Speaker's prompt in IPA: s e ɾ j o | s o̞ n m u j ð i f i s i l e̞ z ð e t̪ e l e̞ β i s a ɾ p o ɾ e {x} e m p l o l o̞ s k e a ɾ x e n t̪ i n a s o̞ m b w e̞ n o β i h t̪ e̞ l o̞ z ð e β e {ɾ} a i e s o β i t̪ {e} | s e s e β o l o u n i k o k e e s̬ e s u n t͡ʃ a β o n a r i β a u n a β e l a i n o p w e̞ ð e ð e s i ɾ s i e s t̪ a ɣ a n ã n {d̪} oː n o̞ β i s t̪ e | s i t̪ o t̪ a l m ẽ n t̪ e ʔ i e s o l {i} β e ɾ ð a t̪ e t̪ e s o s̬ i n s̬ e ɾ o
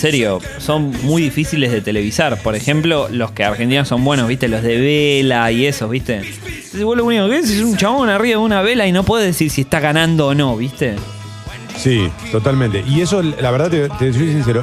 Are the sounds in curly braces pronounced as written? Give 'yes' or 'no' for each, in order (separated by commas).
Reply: yes, no, yes, yes, no